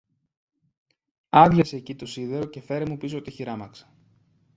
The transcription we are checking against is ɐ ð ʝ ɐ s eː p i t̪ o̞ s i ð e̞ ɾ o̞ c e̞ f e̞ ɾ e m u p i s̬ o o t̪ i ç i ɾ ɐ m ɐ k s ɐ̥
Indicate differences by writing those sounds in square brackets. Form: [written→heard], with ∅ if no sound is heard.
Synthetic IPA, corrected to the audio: ɐ ð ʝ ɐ s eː [p→c] i t̪ o̞ s i ð e̞ ɾ o̞ c e̞ f e̞ ɾ e m u p i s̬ o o t̪ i ç i ɾ ɐ m ɐ k s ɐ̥